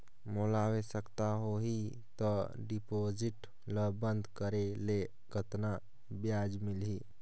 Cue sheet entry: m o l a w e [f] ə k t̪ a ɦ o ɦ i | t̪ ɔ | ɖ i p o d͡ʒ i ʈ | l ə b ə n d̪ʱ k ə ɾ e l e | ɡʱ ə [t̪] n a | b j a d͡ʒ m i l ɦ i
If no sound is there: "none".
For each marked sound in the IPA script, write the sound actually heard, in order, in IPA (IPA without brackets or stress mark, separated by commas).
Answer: s, t̪